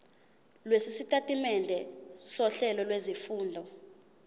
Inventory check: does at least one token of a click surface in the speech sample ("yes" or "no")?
no